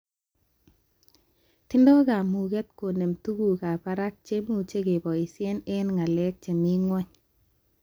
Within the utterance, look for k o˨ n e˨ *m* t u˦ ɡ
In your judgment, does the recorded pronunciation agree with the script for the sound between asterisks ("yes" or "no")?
yes